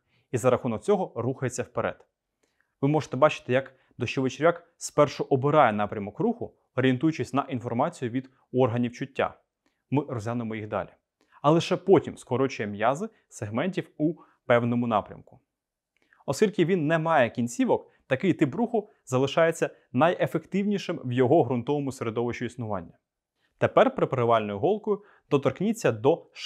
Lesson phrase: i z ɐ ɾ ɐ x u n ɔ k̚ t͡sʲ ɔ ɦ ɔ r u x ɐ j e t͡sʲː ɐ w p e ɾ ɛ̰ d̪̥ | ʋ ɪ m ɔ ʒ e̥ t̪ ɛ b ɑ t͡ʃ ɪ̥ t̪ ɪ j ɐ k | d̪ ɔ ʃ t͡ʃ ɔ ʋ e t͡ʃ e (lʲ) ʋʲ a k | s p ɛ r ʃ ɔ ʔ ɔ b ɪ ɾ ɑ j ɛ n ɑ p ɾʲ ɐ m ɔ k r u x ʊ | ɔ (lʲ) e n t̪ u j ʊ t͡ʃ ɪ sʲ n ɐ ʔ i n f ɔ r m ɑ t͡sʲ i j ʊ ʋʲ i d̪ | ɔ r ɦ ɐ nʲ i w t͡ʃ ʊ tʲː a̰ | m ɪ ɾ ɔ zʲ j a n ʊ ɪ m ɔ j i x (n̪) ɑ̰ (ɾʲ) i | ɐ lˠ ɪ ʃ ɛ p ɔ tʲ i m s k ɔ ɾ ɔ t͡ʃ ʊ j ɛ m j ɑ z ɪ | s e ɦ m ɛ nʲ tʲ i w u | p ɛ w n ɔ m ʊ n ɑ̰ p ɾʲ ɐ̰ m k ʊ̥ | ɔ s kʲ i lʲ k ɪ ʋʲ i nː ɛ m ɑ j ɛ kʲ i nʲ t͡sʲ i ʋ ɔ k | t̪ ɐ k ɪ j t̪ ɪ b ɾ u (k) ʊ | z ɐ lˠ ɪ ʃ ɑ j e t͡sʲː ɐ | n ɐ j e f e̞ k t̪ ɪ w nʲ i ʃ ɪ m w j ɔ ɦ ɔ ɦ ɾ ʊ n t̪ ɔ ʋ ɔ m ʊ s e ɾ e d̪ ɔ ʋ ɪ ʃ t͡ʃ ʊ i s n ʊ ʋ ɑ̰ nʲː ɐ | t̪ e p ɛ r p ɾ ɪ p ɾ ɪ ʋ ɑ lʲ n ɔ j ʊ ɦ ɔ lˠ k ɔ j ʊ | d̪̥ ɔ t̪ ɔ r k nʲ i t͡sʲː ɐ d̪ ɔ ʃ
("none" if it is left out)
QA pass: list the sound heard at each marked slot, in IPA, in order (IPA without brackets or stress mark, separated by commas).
ɾʲ, ɾʲ, d̪, lʲ, x